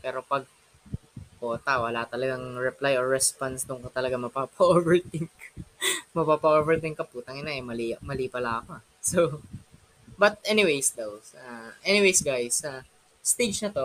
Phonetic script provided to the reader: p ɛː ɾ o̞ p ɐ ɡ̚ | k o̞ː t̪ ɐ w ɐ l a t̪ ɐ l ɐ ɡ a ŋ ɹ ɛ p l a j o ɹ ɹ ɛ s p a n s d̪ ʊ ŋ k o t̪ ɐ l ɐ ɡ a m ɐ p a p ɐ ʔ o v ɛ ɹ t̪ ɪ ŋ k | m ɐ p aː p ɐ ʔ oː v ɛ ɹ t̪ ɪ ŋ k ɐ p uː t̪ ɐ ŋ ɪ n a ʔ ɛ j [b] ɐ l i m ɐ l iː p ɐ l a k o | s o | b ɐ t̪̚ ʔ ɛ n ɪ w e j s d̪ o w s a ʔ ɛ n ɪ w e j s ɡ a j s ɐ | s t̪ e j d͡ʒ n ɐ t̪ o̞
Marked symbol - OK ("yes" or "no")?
no